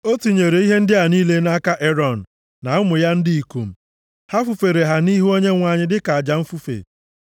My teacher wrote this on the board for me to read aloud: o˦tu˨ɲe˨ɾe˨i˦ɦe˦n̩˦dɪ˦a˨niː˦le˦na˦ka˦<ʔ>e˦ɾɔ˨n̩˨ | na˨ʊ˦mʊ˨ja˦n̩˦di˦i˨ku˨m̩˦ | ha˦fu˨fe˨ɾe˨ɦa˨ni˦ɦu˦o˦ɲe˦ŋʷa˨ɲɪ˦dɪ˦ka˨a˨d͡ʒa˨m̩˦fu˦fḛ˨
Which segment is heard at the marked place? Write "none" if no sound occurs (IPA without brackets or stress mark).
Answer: ʔ